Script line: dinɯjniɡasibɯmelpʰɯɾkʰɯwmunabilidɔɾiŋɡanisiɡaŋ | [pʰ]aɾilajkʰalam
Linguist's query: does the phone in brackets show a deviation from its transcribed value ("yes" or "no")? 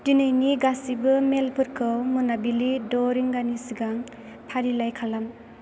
no